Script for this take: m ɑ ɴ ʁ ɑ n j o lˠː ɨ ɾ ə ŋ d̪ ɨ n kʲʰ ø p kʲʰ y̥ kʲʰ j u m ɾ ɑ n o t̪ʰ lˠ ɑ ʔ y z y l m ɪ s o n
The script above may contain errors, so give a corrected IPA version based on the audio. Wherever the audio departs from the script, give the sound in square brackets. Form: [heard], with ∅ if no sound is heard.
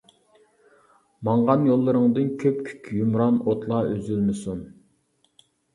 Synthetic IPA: m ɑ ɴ ʁ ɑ n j o lˠː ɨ ɾ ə ŋ d̪ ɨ n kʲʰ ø p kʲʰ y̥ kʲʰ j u m ɾ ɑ n o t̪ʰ lˠ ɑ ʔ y z y l m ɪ s [u] n